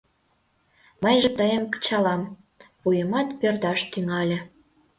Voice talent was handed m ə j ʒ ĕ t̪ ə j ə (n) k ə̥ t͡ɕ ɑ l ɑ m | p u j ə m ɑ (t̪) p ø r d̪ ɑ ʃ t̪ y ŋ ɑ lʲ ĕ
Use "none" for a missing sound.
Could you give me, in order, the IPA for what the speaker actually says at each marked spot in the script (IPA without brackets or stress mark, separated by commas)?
m, t̪